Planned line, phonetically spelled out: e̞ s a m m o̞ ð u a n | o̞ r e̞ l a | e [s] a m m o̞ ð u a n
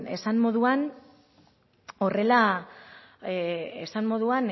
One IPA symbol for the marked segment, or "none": s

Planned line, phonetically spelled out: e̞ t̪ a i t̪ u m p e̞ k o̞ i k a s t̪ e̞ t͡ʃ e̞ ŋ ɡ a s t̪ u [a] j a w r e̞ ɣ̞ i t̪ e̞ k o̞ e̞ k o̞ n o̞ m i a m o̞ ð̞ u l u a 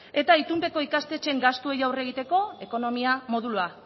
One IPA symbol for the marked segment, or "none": e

